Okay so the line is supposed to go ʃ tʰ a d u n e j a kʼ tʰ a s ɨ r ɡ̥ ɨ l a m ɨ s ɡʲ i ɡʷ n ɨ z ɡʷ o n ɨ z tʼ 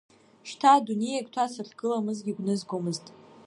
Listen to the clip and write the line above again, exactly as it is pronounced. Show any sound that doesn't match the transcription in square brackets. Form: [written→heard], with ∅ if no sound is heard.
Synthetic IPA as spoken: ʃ tʰ a d u n e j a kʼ tʰ a s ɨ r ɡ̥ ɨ l a m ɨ [s→z] ɡʲ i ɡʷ n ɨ z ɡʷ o [n→m] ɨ z tʼ